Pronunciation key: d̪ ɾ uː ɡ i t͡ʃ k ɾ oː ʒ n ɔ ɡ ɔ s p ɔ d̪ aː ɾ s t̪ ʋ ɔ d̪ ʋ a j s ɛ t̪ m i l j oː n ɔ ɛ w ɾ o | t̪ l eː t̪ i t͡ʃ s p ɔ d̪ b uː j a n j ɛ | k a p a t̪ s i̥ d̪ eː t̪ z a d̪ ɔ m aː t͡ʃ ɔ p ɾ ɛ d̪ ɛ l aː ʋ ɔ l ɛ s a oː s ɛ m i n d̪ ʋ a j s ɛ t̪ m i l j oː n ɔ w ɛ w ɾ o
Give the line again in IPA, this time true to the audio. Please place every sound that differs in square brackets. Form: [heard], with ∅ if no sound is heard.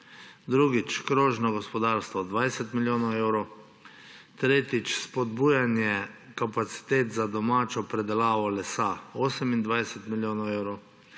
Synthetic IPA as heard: d̪ ɾ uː ɡ i t͡ʃ k ɾ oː ʒ n ɔ ɡ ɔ s p ɔ d̪ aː ɾ s t̪ ʋ ɔ d̪ ʋ a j s ɛ t̪ m i l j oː n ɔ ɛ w ɾ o | t̪ [ɾ] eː t̪ i t͡ʃ s p ɔ d̪ b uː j a n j ɛ | k a p a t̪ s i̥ [t̪] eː t̪ z a d̪ ɔ m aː t͡ʃ ɔ p ɾ ɛ d̪ ɛ l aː ʋ ɔ l ɛ s a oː s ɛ m i n d̪ ʋ a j s ɛ t̪ m i l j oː n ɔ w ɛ w ɾ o